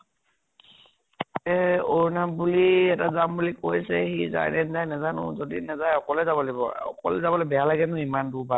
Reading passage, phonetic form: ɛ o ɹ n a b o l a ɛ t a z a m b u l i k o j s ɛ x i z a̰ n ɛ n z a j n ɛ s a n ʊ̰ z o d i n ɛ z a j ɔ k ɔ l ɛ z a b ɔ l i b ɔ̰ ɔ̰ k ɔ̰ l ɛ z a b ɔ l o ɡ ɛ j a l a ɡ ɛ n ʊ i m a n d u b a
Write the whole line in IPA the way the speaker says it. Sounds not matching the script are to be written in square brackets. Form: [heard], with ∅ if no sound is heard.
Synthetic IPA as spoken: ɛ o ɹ n a b [u] l [i] ɛ t a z a m b u l i k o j s ɛ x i z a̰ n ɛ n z a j n ɛ [z] a n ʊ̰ z o d i n ɛ z a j ɔ k ɔ l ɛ z a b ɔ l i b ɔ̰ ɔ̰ k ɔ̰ l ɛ z a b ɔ l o [b] ɛ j a l a ɡ ɛ n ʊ i m a n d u b a